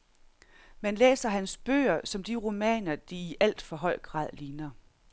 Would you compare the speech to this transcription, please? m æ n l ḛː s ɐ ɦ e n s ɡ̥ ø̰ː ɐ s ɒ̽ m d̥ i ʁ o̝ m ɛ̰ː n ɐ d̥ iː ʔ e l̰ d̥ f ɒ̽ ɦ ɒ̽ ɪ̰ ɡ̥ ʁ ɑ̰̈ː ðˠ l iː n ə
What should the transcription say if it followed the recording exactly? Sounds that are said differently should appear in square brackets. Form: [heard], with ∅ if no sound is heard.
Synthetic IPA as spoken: m æ n l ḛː s ɐ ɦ [æ] n s [b̥] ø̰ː ɐ s ɒ̽ m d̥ i ʁ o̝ m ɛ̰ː n ɐ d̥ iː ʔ [æ] l̰ d̥ f ɒ̽ ɦ ɒ̽ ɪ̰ ɡ̥ ʁ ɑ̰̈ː ðˠ l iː n [ɐ]